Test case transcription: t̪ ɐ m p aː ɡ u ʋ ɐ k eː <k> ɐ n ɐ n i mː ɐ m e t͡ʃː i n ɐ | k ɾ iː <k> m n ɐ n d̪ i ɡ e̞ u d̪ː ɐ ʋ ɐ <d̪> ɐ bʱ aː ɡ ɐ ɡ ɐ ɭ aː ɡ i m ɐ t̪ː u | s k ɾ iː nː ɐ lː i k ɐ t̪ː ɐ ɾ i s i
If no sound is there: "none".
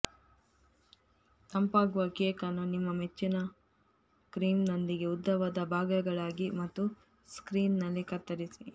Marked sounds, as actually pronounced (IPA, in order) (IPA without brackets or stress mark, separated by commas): k, none, d̪